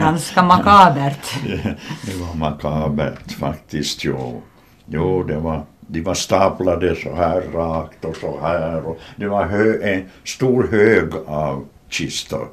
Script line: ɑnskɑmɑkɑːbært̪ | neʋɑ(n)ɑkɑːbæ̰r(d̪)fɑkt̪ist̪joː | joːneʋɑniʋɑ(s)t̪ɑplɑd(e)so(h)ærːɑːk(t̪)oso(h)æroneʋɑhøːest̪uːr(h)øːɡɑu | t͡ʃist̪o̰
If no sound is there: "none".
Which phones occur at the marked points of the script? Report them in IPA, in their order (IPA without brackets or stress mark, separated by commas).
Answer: m, t̪, s, e, h, t̪, h, h